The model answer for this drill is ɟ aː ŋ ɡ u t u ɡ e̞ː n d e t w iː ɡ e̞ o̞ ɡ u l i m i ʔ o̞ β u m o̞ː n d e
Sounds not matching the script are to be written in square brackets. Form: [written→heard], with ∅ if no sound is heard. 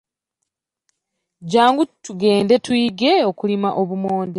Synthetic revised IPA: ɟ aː ŋ ɡ u t u ɡ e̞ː n d e t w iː ɡ e̞ o̞ [ɡ→k] u l i m [i→a] ʔ o̞ β u m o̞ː n d e